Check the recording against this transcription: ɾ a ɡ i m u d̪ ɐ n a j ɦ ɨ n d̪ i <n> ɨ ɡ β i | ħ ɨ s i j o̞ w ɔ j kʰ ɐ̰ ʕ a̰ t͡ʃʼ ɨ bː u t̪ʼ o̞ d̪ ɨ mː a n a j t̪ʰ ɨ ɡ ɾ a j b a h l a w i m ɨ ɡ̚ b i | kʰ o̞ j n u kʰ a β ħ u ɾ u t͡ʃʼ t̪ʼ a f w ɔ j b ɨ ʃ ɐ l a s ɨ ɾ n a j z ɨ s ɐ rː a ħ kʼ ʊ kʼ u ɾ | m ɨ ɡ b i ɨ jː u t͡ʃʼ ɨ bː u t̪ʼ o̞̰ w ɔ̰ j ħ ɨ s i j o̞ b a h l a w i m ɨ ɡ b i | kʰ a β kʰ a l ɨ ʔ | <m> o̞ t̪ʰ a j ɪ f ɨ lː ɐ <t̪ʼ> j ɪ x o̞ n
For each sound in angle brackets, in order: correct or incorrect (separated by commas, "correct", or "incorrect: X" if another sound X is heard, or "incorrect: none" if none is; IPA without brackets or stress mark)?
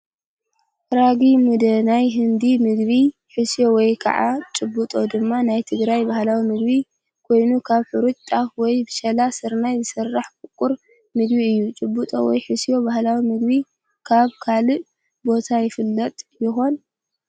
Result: incorrect: m, incorrect: b, correct